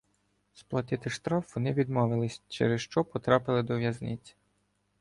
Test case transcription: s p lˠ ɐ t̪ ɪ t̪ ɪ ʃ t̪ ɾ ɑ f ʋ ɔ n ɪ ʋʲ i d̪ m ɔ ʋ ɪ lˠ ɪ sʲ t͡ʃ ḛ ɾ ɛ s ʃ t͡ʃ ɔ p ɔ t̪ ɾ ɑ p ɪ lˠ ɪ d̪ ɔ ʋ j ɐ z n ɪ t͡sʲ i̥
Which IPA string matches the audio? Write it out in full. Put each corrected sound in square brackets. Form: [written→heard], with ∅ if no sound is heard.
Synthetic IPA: s p lˠ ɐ t̪ ɪ t̪ ɪ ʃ t̪ ɾ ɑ f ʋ ɔ n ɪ ʋʲ i d̪ m ɔ ʋ ɪ lˠ ɪ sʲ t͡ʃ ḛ ɾ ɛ s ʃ t͡ʃ ɔ p ɔ t̪ ɾ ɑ p ɪ lˠ ɪ d̪ ɔ ʋ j ɐ z n ɪ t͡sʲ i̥

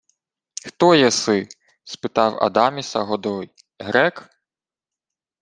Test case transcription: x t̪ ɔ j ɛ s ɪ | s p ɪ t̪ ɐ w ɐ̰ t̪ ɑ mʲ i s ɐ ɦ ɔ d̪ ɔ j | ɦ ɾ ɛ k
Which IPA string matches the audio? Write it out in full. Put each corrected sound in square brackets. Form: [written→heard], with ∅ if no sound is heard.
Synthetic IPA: x t̪ ɔ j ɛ s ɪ | s p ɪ t̪ [ɐ→ɑ] w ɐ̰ [t̪→d̪] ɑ mʲ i s ɐ ɦ ɔ d̪ ɔ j | ɦ ɾ ɛ k

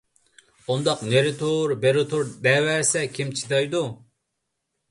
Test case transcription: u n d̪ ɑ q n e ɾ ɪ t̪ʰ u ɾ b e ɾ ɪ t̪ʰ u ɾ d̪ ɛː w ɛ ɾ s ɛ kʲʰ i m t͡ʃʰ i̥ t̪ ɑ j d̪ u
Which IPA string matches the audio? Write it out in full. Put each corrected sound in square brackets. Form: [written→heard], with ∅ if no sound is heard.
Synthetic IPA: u n d̪ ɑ q n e ɾ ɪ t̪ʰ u ɾ b e ɾ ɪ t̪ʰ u ɾ d̪ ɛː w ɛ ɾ s ɛ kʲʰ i m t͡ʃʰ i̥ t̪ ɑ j d̪ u

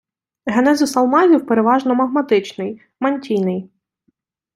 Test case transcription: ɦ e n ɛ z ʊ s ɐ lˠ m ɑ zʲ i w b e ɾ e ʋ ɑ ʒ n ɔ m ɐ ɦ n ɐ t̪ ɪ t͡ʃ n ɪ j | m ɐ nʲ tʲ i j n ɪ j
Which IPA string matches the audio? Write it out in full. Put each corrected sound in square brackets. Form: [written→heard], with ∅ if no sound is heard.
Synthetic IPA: ɦ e n ɛ z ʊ s ɐ lˠ m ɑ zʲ i w [b→p] e ɾ e ʋ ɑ ʒ n ɔ m ɐ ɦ [n→m] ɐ t̪ ɪ t͡ʃ n ɪ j | m ɐ nʲ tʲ i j n ɪ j

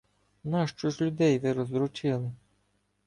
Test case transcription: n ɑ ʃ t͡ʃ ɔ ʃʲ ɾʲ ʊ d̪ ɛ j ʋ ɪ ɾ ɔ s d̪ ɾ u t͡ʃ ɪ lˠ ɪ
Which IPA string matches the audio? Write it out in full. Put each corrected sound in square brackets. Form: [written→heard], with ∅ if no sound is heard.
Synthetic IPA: n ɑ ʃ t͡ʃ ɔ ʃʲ [ɾʲ→lʲ] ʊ d̪ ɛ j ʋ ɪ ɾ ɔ [s→z] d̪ ɾ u t͡ʃ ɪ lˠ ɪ

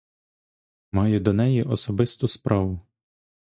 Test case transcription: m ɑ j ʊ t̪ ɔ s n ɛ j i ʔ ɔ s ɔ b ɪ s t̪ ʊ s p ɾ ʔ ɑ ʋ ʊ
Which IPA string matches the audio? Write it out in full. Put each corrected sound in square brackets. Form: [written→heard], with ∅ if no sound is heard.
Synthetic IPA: m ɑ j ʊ [t̪→d̪] ɔ [s→∅] n ɛ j i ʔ ɔ s ɔ b ɪ s t̪ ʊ s p ɾ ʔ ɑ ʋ ʊ

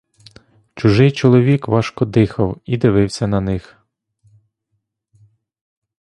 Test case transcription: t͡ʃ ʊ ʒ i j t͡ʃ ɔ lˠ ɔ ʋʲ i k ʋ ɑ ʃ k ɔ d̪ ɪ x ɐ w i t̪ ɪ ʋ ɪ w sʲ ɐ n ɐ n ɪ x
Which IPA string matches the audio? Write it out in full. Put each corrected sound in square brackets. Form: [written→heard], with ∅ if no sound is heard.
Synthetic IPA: t͡ʃ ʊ ʒ [i→ɪ] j t͡ʃ ɔ lˠ ɔ ʋʲ i k ʋ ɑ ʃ k ɔ d̪ ɪ x ɐ w i [t̪→d̪] ɪ ʋ ɪ w sʲ ɐ n ɐ n ɪ x

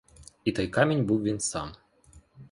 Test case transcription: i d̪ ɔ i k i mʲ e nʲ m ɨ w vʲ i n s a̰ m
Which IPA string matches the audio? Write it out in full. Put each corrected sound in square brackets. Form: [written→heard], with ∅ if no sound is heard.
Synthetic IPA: i [d̪→t̪] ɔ [i→j] k [i→a] mʲ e nʲ [m→b] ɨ w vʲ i n s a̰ m

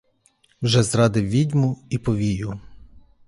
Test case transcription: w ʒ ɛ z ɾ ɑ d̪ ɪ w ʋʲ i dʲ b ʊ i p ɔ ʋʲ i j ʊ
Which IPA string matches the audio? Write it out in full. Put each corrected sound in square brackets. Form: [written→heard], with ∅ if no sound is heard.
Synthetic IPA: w ʒ ɛ z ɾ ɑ d̪ ɪ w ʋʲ i dʲ [b→m] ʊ i p ɔ ʋʲ i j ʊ

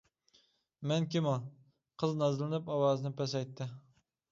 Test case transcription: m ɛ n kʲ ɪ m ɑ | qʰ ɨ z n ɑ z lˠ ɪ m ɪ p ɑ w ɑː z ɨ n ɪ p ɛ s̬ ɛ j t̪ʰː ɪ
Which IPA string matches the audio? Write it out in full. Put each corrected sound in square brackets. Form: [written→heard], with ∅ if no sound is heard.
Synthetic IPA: m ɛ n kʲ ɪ m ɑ | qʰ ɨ z n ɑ z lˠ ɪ [m→n] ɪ p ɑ w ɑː z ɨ n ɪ p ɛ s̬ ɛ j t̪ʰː ɪ

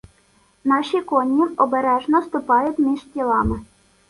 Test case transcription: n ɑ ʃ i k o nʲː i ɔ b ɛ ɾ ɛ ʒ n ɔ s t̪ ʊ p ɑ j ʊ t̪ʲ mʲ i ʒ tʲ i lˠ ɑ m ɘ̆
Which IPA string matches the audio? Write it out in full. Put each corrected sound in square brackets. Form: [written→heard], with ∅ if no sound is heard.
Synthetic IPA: n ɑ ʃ i k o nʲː i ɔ b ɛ ɾ ɛ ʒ n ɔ s t̪ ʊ p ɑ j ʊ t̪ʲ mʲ i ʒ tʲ i lˠ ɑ m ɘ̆

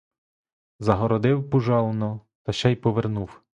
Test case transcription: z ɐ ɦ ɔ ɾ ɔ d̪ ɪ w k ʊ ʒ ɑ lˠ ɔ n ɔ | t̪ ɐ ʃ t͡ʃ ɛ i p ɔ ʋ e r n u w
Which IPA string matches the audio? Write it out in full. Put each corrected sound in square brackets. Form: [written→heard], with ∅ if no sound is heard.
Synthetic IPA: z ɐ ɦ ɔ ɾ ɔ d̪ ɪ w [k→p] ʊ ʒ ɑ lˠ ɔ n ɔ | t̪ ɐ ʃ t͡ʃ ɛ [i→j] p ɔ ʋ e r n u w

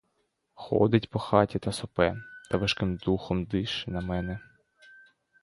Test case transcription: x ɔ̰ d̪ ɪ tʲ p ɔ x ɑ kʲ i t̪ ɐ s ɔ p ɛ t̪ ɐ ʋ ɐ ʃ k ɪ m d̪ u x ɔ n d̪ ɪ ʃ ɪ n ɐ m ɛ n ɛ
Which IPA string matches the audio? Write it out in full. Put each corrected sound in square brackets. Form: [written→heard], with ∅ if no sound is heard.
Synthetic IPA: x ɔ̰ d̪ ɪ tʲ p ɔ x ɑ [kʲ→tʲ] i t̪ ɐ s ɔ p ɛ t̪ ɐ ʋ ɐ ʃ k ɪ m d̪ u x ɔ [n→m] d̪ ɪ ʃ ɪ n ɐ m ɛ n ɛ

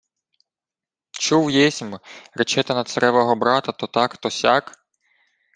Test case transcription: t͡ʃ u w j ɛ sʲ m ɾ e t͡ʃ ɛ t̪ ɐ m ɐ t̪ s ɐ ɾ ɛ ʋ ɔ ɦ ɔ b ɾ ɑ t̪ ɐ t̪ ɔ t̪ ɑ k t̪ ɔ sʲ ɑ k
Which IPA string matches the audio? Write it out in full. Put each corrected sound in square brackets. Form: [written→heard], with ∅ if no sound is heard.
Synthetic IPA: t͡ʃ u w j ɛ sʲ m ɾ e t͡ʃ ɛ t̪ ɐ [m→n] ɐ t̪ s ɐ ɾ ɛ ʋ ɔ ɦ ɔ b ɾ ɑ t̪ ɐ t̪ ɔ t̪ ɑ k t̪ ɔ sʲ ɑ k

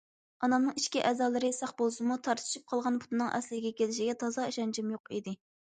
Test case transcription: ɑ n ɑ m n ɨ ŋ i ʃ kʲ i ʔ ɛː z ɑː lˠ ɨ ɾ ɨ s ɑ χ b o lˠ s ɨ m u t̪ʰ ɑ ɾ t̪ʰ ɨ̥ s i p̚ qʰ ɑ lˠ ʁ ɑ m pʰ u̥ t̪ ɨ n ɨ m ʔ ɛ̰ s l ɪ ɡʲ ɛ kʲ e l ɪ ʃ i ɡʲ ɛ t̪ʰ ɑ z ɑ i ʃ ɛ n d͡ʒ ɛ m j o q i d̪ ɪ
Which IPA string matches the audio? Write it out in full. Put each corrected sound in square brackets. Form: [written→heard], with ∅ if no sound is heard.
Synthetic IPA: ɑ n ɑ m n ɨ ŋ i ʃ kʲ i ʔ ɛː z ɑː lˠ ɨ ɾ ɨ s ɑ χ b o lˠ s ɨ m u t̪ʰ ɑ ɾ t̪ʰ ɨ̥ [s→ʃ] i p̚ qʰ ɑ lˠ ʁ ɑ [m→n] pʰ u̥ t̪ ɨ n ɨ [m→ŋ] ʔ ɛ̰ s l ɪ ɡʲ ɛ kʲ e l ɪ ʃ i ɡʲ ɛ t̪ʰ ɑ z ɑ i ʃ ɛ n d͡ʒ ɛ m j o q i d̪ ɪ

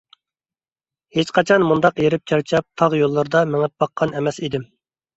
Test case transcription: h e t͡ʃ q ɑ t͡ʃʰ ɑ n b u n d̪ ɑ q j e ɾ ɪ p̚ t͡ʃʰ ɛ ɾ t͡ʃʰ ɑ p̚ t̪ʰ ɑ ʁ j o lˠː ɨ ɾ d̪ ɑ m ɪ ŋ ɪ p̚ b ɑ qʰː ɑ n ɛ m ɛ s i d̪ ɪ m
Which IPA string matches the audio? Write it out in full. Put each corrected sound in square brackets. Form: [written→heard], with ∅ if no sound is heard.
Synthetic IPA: h e t͡ʃ q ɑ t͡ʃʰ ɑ n [b→m] u n d̪ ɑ q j e ɾ ɪ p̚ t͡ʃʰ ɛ ɾ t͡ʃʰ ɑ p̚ t̪ʰ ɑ ʁ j o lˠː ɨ ɾ d̪ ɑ m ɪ ŋ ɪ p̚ b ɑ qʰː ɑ n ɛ m ɛ s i d̪ ɪ m

